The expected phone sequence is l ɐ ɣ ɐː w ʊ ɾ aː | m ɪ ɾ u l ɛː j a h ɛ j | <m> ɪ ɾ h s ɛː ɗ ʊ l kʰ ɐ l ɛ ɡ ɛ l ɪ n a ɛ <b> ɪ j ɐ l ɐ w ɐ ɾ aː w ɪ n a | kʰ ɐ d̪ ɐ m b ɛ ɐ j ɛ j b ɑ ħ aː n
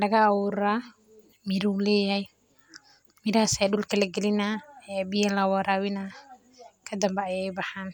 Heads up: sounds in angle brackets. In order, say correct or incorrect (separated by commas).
correct, correct